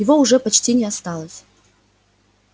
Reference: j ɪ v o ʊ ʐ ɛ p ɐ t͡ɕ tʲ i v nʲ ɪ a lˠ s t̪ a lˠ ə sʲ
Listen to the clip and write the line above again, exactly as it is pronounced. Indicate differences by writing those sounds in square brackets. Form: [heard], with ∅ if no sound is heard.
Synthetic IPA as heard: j ɪ v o ʊ ʐ ɛ p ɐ t͡ɕ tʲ i [∅] nʲ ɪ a [∅] s t̪ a lˠ ə sʲ